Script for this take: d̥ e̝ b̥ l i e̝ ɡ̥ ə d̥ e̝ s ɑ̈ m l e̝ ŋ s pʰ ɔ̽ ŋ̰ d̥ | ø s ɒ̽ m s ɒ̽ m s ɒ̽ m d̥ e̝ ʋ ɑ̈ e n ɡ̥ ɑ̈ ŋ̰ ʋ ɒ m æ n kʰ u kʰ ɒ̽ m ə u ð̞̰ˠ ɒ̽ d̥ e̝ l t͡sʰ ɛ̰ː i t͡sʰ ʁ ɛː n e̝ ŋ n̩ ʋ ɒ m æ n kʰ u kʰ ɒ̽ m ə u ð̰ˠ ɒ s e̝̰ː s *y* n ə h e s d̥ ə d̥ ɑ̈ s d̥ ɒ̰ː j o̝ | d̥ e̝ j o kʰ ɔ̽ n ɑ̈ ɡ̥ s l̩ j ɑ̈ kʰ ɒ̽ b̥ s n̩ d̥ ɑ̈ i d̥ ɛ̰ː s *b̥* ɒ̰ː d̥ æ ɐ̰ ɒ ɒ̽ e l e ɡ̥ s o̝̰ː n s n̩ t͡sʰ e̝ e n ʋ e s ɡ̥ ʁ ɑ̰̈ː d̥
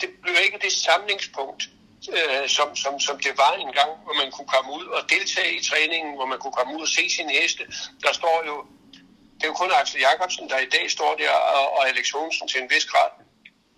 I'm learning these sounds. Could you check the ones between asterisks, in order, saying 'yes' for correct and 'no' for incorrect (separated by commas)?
no, no